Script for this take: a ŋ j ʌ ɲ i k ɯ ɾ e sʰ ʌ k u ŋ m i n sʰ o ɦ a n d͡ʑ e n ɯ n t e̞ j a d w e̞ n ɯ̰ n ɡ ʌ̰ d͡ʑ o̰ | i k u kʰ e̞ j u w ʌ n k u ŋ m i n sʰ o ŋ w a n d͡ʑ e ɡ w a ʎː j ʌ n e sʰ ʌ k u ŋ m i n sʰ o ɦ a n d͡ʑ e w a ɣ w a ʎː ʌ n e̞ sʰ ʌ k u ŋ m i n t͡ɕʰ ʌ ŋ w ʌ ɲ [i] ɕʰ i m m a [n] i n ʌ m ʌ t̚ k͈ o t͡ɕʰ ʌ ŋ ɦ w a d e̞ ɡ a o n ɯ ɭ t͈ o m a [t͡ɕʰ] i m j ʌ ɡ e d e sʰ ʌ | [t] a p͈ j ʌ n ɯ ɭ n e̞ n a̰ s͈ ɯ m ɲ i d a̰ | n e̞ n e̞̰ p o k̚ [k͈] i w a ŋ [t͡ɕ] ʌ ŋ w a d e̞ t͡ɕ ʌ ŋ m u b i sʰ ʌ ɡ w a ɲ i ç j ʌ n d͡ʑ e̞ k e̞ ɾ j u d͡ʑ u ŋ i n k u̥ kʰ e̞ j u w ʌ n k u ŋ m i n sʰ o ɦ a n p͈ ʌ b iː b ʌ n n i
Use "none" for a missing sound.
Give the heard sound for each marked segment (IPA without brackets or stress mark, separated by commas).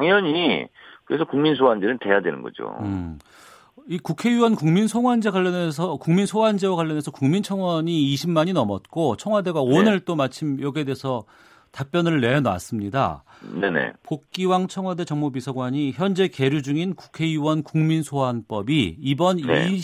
iː, ɲ, t͡ɕʰ, t, k͈, t͡ɕʰ